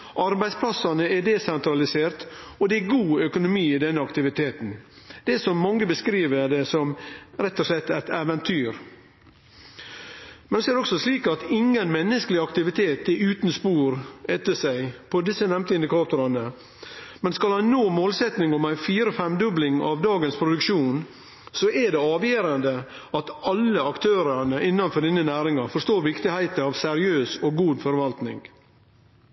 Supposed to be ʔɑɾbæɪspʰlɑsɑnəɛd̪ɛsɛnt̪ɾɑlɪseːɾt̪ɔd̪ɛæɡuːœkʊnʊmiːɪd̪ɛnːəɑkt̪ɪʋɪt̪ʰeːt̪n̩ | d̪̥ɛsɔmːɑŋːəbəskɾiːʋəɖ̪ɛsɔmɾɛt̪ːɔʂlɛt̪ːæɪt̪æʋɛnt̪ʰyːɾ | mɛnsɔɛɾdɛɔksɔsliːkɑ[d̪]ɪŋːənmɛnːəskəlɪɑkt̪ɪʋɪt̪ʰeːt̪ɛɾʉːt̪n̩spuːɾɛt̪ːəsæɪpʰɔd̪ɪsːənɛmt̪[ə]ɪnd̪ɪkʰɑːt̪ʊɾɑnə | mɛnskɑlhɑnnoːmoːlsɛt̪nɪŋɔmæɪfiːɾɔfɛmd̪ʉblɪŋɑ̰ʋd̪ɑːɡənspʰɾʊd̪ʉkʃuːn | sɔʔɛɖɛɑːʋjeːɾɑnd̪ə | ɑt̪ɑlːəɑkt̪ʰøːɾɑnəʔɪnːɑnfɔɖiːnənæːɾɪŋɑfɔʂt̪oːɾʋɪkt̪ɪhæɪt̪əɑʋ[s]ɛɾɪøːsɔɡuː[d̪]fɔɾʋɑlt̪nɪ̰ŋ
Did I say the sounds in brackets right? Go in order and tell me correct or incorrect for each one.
incorrect: t̪, correct, correct, correct

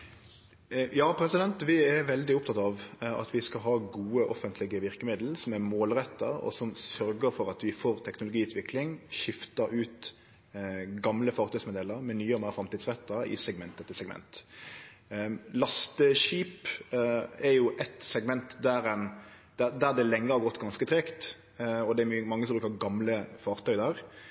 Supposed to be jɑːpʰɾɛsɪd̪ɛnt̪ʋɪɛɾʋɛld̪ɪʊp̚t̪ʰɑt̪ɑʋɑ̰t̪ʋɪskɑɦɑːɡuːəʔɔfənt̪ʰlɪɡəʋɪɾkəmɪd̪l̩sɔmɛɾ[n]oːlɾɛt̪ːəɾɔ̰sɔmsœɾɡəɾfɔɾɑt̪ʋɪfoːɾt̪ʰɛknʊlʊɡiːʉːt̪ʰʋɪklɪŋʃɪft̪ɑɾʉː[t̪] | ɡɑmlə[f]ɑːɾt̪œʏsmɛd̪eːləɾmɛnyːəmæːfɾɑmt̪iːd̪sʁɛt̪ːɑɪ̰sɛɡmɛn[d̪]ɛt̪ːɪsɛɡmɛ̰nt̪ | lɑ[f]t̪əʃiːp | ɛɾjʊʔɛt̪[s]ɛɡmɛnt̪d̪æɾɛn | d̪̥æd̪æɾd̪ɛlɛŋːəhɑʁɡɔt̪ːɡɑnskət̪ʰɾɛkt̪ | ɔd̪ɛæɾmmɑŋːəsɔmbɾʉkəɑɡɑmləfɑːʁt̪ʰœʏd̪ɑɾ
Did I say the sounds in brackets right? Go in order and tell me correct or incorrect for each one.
incorrect: m, correct, correct, incorrect: t̪, incorrect: s, correct

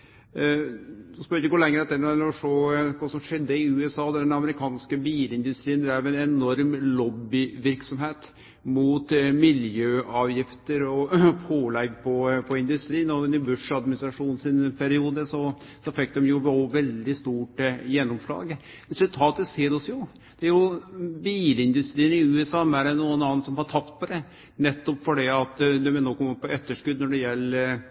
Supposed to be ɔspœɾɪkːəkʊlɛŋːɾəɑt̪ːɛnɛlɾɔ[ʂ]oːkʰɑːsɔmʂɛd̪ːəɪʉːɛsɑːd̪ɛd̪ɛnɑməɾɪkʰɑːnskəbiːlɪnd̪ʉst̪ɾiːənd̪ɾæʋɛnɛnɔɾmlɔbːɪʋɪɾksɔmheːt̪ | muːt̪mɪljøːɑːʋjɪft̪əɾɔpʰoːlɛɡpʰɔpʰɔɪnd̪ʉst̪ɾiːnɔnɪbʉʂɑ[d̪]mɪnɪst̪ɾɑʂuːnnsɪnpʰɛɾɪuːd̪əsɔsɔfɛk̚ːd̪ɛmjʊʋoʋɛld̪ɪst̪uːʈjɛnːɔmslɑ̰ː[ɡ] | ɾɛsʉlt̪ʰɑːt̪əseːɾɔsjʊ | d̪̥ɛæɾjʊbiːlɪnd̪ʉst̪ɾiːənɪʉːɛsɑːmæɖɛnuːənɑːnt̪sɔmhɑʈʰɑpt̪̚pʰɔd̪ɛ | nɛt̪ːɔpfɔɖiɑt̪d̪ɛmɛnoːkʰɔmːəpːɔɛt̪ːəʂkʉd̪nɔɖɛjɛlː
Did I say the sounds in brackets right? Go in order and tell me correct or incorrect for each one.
correct, correct, correct

